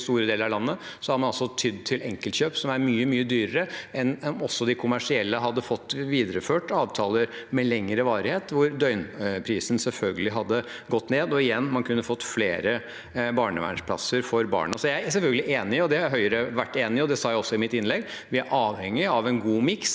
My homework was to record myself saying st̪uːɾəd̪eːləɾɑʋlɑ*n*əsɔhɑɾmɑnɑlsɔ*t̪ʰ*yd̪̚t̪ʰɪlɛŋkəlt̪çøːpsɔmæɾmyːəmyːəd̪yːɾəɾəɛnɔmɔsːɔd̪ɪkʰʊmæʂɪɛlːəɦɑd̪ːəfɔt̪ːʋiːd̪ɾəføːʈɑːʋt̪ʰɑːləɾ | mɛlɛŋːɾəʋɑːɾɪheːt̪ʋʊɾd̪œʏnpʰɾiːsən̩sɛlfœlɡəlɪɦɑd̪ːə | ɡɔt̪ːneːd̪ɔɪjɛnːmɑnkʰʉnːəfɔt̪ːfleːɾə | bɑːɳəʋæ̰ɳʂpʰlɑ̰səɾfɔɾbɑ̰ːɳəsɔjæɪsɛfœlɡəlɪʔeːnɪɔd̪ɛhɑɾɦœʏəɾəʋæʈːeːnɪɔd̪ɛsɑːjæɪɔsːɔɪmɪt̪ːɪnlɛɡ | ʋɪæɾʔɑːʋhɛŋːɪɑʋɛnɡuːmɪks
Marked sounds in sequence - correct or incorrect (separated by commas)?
incorrect, correct